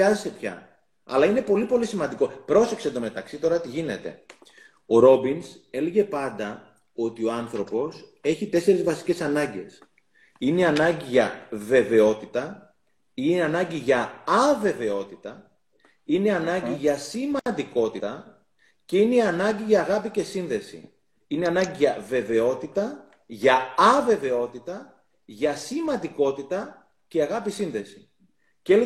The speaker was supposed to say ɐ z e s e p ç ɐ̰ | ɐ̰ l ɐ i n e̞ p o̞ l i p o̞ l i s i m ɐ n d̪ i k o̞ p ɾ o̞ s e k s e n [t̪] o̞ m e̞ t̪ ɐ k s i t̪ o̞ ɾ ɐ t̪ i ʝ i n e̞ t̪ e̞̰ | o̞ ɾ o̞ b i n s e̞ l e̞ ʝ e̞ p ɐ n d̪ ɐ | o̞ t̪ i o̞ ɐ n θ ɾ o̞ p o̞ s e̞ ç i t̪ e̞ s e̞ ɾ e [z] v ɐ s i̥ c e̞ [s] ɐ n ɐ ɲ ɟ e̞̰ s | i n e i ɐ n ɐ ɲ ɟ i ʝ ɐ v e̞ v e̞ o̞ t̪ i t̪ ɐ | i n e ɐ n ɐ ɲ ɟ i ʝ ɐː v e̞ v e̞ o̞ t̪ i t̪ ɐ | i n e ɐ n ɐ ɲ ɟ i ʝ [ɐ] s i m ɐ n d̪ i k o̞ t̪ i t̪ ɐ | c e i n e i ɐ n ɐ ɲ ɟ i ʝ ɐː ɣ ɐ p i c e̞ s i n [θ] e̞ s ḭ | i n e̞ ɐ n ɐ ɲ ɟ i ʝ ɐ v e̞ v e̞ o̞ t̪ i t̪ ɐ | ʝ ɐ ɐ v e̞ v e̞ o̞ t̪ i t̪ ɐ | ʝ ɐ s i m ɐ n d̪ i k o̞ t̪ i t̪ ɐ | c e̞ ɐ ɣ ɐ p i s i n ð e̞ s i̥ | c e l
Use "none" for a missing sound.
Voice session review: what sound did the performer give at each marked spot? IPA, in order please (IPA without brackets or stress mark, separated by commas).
d̪, z, s, ɐ, ð